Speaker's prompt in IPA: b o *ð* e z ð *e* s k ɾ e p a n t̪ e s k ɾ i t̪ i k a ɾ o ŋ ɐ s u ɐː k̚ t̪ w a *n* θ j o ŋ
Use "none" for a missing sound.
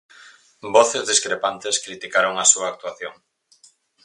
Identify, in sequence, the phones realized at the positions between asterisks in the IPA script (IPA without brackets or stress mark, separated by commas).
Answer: θ, i, none